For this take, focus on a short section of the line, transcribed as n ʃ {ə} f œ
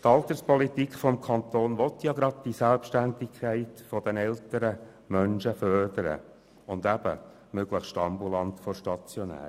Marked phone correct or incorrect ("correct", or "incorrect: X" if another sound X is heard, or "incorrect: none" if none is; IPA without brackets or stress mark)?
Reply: correct